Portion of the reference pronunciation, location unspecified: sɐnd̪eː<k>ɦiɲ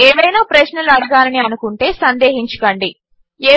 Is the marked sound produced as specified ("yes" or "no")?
no